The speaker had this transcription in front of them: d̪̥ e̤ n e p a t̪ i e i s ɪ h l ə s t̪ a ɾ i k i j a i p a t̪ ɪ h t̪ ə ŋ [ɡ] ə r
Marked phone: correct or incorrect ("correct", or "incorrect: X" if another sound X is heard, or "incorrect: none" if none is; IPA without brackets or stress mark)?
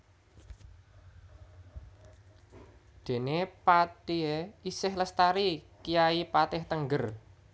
correct